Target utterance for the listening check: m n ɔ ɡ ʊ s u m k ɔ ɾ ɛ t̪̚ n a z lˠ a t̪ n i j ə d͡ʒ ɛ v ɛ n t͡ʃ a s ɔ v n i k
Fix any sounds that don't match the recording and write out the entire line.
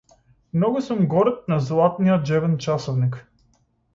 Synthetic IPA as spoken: m n ɔ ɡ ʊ s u m ɡ ɔ ɾ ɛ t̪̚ n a z lˠ a t̪ n i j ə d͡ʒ ɛ v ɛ n t͡ʃ a s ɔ v n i k